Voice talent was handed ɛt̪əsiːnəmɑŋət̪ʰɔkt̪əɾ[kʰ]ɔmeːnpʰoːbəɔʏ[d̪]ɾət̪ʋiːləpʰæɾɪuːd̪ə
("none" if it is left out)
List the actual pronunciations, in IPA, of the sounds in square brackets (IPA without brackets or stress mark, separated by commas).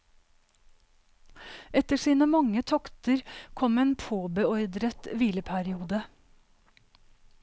kʰ, d̪